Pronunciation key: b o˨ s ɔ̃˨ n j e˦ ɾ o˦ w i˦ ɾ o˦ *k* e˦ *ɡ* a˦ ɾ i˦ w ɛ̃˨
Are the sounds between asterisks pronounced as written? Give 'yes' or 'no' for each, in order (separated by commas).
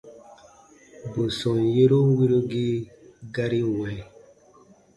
no, yes